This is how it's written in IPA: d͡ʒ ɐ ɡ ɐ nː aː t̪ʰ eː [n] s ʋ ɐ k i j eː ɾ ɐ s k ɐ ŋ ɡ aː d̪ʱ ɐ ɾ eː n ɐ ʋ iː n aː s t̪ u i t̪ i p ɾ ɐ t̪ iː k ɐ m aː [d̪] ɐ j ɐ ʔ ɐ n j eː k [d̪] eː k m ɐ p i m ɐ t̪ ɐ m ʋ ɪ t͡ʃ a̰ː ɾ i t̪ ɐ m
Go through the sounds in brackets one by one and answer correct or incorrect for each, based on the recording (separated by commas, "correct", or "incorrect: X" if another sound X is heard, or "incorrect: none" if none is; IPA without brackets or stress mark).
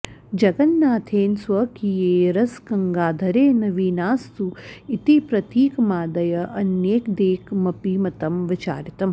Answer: correct, correct, correct